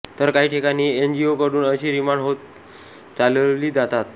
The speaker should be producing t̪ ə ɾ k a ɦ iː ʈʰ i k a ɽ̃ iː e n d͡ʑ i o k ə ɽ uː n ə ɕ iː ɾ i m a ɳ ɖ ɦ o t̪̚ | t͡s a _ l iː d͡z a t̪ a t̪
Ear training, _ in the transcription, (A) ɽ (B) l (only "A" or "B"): B